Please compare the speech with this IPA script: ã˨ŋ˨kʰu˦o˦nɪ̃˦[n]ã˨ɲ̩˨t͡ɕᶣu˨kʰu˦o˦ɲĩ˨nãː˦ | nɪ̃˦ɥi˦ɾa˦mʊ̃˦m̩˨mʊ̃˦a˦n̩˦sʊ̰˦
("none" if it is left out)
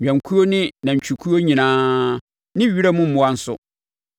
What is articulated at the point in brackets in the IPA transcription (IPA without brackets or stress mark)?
n